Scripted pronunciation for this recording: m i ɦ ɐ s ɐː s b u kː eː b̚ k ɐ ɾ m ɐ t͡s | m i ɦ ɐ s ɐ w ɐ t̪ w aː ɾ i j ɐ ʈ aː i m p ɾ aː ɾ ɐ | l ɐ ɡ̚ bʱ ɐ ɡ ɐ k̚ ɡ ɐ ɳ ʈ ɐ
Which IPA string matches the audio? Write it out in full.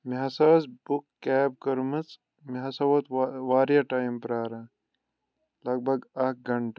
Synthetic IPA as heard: m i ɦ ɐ s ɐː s b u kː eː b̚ k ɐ ɾ m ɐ t͡s | m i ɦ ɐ s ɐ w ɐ t̪ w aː ɾ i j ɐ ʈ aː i m p ɾ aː ɾ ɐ | l ɐ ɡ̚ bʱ ɐ ɡ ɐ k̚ ɡ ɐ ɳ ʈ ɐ